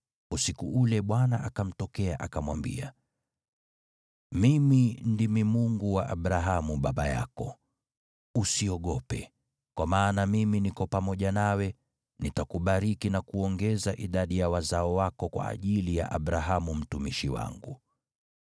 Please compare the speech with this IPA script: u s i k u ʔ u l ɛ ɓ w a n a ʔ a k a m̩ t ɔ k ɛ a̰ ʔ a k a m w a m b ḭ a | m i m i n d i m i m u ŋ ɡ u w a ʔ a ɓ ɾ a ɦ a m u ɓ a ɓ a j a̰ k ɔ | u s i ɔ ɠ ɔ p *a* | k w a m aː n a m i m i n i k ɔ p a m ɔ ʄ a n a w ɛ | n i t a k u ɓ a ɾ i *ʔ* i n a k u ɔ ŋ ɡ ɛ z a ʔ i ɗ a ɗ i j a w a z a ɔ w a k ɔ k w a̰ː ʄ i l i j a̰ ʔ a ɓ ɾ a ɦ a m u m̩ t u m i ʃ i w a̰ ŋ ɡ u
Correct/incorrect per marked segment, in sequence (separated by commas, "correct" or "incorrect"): incorrect, incorrect